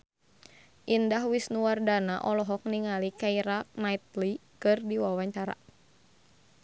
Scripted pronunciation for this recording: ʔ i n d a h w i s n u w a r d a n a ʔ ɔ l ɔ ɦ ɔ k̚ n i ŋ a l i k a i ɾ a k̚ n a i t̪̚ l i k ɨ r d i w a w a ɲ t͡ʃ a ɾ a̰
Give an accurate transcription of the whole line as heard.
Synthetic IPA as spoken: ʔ i n d a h w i s n u w a r d a n a ʔ ɔ l ɔ ɦ ɔ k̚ n i ŋ a l i k a i ɾ a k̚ n a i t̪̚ l i k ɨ r d i w a w a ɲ t͡ʃ a ɾ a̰